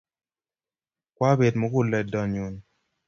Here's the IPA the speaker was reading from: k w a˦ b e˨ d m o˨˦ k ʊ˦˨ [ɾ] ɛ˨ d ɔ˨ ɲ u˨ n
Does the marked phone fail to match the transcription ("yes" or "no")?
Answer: yes